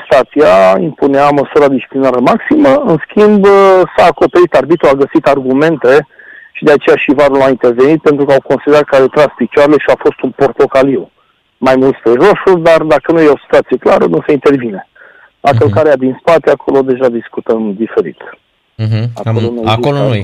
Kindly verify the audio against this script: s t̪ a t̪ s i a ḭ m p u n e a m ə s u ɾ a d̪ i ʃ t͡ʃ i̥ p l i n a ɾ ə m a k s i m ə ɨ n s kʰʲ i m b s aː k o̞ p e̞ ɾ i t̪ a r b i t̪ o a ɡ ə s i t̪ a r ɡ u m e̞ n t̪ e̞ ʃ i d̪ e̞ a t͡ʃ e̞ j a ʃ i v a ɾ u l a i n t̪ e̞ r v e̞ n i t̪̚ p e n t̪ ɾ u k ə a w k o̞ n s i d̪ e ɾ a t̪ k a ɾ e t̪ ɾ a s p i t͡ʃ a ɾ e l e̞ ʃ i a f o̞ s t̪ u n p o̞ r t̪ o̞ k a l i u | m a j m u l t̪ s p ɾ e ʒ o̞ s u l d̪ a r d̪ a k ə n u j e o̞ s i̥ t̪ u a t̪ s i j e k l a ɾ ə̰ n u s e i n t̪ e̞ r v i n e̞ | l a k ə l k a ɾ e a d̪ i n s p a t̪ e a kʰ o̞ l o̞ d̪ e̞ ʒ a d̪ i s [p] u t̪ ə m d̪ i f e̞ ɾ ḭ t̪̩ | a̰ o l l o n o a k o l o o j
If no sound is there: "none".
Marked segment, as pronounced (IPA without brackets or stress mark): k